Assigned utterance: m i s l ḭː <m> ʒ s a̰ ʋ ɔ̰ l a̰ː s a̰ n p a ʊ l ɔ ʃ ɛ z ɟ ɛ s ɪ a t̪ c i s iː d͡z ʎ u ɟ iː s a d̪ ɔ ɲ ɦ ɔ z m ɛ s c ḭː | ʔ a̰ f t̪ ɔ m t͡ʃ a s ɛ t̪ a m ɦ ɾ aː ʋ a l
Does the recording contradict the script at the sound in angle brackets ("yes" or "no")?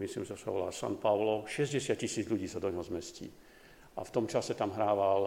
no